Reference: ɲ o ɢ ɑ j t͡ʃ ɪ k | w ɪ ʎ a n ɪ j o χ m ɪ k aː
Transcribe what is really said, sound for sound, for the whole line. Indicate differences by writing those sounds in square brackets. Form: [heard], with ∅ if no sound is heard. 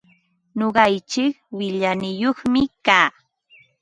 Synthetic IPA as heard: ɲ o ɢ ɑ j t͡ʃ ɪ k | w ɪ ʎ a n ɪ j o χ m ɪ k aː